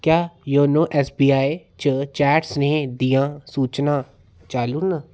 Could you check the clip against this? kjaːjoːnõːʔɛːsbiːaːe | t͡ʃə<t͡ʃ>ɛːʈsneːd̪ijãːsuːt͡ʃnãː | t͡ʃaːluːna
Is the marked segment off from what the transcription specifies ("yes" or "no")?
no